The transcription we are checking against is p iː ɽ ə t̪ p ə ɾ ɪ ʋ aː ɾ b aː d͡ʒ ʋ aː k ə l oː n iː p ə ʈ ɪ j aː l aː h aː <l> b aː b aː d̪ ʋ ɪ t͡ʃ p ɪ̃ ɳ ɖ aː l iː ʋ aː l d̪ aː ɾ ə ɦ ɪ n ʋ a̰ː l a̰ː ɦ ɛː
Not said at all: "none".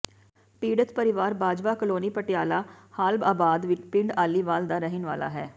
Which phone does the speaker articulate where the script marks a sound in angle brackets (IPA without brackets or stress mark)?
l